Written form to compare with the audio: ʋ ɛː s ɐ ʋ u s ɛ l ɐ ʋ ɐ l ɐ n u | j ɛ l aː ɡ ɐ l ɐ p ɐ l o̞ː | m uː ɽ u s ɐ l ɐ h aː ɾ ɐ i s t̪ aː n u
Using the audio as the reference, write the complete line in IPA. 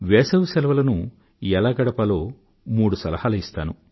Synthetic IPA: ʋ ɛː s ɐ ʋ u s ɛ l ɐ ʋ ɐ l ɐ n u | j ɛ l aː ɡ ɐ ɽ ɐ p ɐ l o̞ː | m uː ɽ u s ɐ l ɐ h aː l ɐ i s t̪ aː n u

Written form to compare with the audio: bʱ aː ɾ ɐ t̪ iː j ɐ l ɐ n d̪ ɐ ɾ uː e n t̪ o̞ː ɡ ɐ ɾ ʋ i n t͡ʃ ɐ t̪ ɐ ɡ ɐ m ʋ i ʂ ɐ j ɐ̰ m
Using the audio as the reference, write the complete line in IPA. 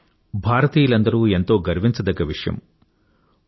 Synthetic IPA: bʱ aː ɾ ɐ t̪ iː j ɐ l ɐ n d̪ ɐ ɾ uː e n t̪ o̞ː ɡ ɐ ɾ ʋ i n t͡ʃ ɐ d̪ ɐ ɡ ɐ ʋ i ʂ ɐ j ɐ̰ m

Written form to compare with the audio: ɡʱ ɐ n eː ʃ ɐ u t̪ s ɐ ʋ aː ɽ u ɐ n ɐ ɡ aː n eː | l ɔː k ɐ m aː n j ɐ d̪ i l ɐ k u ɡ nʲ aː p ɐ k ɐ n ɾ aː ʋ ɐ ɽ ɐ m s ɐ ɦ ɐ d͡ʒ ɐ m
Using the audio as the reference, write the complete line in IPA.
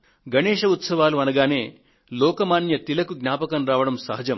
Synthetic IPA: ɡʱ ɐ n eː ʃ ɐ u t̪ s ɐ ʋ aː l u ɐ n ɐ ɡ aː n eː | l ɔː k ɐ m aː n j ɐ t̪ i l ɐ k u ɡ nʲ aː p ɐ k ɐ n ɾ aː ʋ ɐ ɽ ɐ m s ɐ ɦ ɐ d͡ʒ ɐ m

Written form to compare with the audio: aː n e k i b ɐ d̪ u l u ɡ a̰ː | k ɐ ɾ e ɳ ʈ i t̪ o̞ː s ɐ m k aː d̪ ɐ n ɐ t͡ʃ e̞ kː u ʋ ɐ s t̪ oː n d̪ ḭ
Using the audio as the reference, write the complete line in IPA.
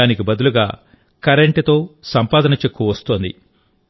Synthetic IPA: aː n i k i b ɐ d̪ u l u ɡ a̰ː | k ɐ ɾ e ɳ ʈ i t̪ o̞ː s ɐ m p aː d̪ ɐ n ɐ t͡ʃ e̞ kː u ʋ ɐ s t̪ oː n d̪ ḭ

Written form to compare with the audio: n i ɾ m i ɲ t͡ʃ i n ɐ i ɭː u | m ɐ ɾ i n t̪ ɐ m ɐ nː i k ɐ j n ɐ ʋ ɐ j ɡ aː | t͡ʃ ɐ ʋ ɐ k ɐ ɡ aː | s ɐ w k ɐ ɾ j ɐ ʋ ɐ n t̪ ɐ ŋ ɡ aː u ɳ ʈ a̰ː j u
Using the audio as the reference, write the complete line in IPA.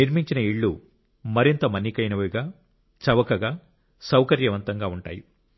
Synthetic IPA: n i ɾ m i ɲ t͡ʃ i n ɐ i ɭː u | m ɐ ɾ i n t̪ ɐ m ɐ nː i k ɐ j n ɐ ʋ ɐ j ɡ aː | t͡ʃ ɐ ʋ ɐ k ɐ ɡ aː | s ɐ w k ɐ ɾ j ɐ ʋ ɐ n t̪ ɐ ŋ ɡ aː u ɳ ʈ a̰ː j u

